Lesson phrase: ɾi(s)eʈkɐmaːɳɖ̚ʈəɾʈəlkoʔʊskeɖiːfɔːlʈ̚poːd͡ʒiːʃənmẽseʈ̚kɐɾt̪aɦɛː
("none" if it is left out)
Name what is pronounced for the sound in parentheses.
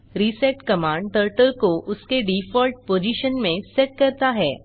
s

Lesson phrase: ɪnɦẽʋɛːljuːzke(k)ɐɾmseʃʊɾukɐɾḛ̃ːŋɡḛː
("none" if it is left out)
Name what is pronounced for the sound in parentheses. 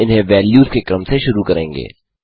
k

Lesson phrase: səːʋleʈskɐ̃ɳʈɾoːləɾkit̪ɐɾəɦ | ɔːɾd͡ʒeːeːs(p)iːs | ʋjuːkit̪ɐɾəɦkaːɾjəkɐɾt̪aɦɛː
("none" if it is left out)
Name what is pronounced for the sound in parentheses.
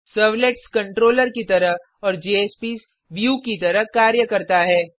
p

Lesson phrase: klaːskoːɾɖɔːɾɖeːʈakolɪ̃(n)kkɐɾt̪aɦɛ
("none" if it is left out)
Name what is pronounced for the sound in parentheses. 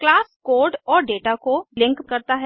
ŋ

